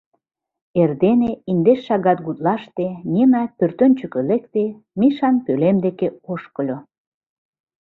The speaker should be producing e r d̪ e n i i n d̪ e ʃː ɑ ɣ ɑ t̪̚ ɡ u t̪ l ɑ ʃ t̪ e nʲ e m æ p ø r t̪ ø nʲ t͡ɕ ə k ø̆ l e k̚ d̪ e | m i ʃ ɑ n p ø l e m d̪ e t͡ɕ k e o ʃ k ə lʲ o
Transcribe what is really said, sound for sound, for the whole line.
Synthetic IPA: e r d̪ e n e i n d̪ e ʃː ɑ ɣ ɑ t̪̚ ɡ u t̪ l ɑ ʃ t̪ e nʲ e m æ p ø r t̪ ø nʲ t͡ɕ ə k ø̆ l e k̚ t̪ e | m i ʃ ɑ n p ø l e m d̪ e k e o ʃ k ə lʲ o